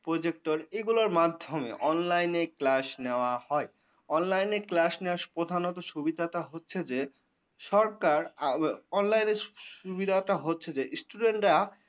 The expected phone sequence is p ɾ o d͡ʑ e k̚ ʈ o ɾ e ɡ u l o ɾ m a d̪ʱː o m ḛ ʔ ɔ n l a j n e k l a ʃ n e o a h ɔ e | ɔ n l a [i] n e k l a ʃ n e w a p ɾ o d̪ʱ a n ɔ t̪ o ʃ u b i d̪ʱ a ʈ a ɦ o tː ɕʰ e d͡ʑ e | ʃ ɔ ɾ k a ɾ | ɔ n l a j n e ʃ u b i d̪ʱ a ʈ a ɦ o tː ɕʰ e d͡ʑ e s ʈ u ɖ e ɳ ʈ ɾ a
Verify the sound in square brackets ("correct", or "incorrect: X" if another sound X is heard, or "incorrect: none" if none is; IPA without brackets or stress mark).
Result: incorrect: j